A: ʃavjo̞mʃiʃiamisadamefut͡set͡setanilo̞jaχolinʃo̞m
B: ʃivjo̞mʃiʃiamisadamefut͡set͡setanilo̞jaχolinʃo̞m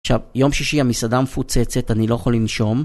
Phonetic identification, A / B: A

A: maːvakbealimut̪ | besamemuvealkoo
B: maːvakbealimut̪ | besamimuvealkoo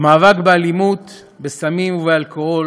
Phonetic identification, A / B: B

